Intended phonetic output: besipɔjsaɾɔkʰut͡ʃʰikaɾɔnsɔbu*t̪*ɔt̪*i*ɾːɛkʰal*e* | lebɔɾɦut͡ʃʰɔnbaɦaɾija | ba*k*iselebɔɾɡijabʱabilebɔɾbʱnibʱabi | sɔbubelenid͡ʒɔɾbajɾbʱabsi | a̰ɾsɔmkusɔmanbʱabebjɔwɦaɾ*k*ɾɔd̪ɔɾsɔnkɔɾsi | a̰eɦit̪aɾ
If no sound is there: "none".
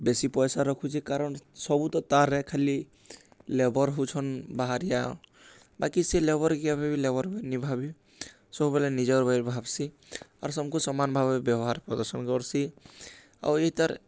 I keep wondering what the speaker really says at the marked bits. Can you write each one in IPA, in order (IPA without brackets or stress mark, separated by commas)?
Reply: t̪, a, i, k, p